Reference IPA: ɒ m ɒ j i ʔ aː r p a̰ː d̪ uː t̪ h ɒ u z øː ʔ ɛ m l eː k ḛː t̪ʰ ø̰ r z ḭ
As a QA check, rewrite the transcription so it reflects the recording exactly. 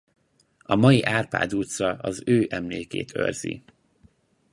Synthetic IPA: ɒ m ɒ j i ʔ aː r p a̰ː d̪ uː t̪ s ɒ ɒ z øː ʔ ɛ m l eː k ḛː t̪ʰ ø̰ r z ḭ